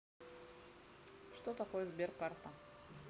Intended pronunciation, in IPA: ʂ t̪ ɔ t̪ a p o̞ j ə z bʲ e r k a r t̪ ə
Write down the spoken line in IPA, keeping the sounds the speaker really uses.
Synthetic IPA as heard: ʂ t̪ o t̪ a k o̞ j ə z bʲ e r k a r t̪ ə